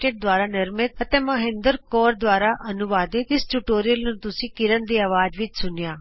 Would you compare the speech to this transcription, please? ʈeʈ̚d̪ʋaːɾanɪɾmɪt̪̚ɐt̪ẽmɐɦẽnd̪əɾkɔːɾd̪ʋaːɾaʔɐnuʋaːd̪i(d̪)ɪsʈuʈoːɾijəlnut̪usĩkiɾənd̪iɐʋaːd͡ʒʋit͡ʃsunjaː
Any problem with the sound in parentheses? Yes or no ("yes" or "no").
yes